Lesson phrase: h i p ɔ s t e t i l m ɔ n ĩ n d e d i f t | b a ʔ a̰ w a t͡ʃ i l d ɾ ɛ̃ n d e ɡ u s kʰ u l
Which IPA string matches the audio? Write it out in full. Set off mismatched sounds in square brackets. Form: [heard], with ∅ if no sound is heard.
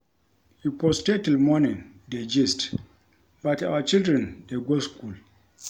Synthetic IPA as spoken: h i p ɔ s t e t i l m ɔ n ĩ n d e [d͡ʒ] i [s] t | b a [t] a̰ w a t͡ʃ i l d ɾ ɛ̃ n d e ɡ [o] s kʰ u l

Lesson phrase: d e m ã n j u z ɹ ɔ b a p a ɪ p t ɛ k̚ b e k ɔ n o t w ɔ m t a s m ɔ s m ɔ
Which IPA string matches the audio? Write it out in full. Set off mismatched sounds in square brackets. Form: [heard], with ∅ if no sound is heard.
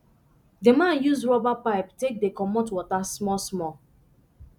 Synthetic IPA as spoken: d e m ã n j u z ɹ ɔ b a p a ɪ p t [e] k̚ [d] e k ɔ [m] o t w ɔ [∅] t a s m ɔ s m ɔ

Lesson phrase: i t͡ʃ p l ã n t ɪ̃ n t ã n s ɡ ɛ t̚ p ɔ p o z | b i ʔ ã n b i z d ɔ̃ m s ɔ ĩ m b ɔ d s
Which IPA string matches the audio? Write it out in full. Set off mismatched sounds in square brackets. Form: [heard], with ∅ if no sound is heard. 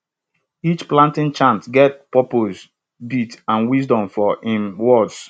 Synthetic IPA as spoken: i t͡ʃ p l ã n t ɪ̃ n [t͡ʃ] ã n [t] ɡ ɛ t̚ p ɔ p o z | b i [t] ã n [w] i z d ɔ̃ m [f] ɔ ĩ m [w] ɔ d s

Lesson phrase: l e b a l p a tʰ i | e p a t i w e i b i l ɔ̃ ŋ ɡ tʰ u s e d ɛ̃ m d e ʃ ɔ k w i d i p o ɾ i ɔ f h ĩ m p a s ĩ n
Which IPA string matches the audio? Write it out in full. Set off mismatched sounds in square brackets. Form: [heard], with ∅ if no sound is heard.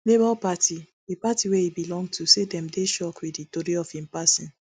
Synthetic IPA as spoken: l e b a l p a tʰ i | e p a t i w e i b i l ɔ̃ ŋ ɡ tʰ u s e d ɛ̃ m d e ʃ ɔ k w i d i [t] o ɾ i ɔ f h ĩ m p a s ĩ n

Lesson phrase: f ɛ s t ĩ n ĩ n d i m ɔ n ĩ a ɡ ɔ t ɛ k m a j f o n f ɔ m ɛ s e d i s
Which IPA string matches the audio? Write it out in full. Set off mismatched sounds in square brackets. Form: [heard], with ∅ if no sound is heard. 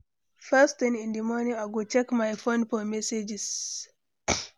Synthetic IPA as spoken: f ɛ s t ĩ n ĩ n d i m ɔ n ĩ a ɡ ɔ [t͡ʃ] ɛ k m a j f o n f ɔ m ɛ s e [d͡ʒ] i s

